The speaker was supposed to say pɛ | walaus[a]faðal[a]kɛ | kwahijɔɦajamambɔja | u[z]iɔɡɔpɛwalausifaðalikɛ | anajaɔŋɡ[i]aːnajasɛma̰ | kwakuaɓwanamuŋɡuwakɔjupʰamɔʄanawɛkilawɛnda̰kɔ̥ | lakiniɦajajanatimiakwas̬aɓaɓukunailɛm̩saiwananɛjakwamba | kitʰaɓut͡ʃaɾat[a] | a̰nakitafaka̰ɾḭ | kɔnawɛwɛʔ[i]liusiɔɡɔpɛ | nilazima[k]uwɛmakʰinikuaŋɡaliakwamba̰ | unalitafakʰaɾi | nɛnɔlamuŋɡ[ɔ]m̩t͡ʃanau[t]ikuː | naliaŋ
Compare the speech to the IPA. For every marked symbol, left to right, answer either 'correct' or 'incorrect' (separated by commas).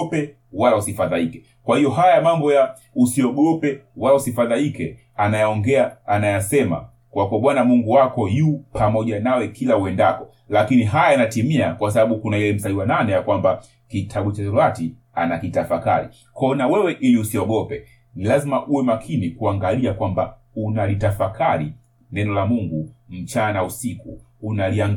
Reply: incorrect, incorrect, incorrect, incorrect, incorrect, correct, incorrect, incorrect, incorrect